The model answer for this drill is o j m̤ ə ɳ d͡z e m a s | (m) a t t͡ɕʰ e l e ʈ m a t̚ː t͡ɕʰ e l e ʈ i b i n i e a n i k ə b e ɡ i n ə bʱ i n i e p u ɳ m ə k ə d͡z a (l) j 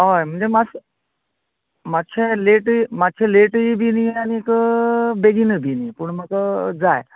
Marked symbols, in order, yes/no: yes, no

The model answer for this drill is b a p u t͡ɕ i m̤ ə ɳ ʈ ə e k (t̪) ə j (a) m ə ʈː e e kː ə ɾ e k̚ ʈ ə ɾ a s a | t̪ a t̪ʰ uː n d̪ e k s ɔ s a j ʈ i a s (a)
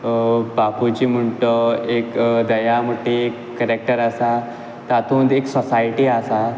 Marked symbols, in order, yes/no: no, yes, yes

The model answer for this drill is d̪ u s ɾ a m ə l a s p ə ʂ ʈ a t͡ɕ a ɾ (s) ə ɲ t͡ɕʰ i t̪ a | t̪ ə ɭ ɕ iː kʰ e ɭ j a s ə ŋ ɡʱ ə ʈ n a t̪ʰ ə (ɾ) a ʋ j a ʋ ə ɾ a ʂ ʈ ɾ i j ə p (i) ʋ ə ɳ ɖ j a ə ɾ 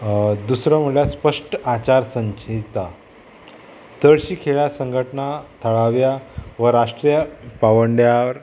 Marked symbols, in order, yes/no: yes, no, no

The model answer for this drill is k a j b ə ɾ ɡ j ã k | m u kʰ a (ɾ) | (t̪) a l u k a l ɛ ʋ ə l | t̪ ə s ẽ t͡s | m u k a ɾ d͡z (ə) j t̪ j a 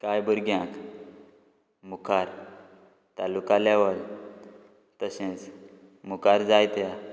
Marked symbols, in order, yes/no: yes, yes, no

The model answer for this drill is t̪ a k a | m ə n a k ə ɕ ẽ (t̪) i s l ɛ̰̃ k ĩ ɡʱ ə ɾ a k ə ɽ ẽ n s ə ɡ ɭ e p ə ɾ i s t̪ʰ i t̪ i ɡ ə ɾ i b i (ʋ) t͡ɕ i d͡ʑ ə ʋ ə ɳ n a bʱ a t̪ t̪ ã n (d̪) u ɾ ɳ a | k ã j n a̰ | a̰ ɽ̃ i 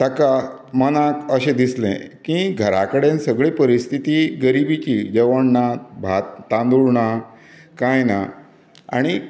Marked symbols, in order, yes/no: no, no, yes

